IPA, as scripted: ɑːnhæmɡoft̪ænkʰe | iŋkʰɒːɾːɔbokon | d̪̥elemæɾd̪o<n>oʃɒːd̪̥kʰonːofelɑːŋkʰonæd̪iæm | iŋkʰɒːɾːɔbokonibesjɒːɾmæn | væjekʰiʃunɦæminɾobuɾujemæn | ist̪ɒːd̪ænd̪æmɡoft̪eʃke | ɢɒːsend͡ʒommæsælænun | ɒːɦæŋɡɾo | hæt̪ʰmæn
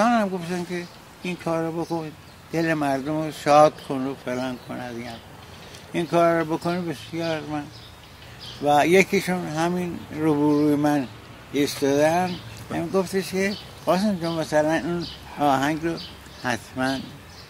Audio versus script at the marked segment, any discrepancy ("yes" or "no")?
yes